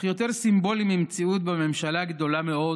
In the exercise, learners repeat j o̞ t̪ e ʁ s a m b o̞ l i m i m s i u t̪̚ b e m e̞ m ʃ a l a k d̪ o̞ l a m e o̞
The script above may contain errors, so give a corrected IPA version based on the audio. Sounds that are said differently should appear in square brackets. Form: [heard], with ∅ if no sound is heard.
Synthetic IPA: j o̞ t̪ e ʁ s [i] m b o̞ l i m i m [t͡s] i u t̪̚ b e m e̞ m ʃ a l a [ɡ] d̪ o̞ l a m e o̞